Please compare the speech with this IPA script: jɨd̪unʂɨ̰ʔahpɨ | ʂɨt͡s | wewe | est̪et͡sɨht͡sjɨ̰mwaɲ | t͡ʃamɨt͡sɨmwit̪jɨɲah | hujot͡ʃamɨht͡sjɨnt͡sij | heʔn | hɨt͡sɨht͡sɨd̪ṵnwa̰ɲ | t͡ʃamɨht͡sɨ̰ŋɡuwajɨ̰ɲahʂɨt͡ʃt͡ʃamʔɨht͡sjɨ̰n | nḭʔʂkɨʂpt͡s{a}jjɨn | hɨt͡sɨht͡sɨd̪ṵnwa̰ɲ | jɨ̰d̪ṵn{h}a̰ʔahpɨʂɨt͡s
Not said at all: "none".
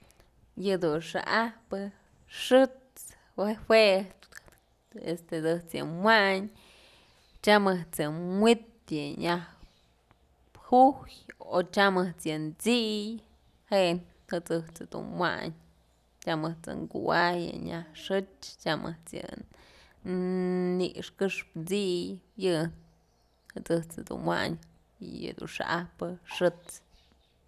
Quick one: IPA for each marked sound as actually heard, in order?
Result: i, ʂ

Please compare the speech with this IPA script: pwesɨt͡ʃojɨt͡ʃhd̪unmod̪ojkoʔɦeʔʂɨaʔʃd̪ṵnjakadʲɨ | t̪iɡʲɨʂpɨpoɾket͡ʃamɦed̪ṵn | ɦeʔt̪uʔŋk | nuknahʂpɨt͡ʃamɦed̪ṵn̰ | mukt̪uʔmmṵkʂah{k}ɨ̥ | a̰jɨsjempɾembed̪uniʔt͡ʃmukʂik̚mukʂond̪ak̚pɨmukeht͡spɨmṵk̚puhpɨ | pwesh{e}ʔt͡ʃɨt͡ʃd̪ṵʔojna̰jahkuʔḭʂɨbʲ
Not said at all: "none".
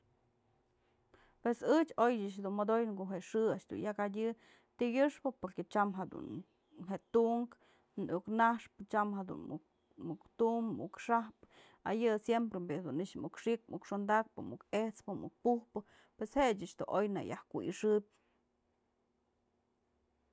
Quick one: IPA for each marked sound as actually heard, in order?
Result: p, e

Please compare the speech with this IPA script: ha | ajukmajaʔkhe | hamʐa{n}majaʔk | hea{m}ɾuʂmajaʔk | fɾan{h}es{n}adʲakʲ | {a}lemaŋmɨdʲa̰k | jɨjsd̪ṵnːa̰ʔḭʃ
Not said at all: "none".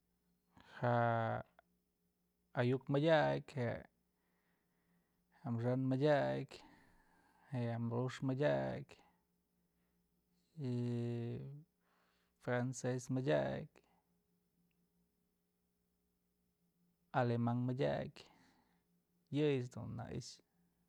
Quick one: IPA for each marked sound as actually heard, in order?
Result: n, m, s, m, a

